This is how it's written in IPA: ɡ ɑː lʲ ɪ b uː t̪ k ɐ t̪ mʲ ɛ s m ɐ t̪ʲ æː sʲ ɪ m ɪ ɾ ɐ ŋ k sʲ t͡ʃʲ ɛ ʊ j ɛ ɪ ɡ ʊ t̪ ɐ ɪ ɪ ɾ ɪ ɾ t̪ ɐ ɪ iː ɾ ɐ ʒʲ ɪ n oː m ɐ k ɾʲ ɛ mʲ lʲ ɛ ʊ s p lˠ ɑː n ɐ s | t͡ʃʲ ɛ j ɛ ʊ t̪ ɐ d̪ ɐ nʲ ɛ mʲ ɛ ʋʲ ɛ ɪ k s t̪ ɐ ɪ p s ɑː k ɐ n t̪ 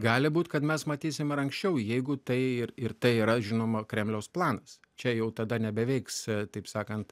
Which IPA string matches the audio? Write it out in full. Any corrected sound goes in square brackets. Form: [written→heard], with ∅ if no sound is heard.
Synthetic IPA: ɡ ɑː lʲ ɪ b uː t̪ k ɐ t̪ mʲ ɛ s m ɐ t̪ʲ [æː→iː] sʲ ɪ m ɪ ɾ ɐ ŋ k sʲ t͡ʃʲ ɛ ʊ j ɛ ɪ ɡ ʊ t̪ ɐ ɪ ɪ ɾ ɪ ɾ t̪ ɐ ɪ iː ɾ ɐ ʒʲ ɪ n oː m ɐ k ɾʲ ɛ mʲ lʲ ɛ ʊ s p lˠ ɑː n ɐ s | t͡ʃʲ ɛ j ɛ ʊ t̪ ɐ d̪ ɐ nʲ ɛ [mʲ→bʲ] ɛ ʋʲ ɛ ɪ k s t̪ ɐ ɪ p s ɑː k ɐ n t̪